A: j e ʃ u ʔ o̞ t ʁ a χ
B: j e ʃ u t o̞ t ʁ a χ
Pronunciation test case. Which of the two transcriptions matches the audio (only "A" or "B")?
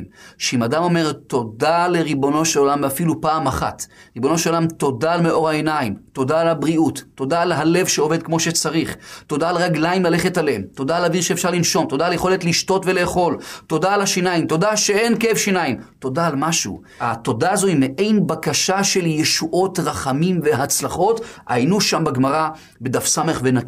A